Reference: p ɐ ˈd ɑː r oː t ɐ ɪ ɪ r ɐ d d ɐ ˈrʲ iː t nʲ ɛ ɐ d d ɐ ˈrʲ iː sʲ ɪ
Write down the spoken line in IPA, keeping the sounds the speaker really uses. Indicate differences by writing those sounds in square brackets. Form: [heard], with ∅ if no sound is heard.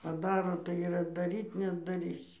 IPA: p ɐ ˈd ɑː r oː t ɐ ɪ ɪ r ɐ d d ɐ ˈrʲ iː t nʲ ɛ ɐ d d ɐ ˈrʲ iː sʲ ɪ